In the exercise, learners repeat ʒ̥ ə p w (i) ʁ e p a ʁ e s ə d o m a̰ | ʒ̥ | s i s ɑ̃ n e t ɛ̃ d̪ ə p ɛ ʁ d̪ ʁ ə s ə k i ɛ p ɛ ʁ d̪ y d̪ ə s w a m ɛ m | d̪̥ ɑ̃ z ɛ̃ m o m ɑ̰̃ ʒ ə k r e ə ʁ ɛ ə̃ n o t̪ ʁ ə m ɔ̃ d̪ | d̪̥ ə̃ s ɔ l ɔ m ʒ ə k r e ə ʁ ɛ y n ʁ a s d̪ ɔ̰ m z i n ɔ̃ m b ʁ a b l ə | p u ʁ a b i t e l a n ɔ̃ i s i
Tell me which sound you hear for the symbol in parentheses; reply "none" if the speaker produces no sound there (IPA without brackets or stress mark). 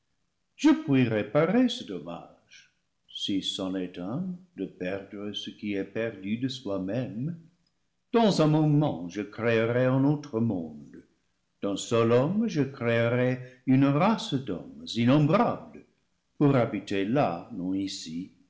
i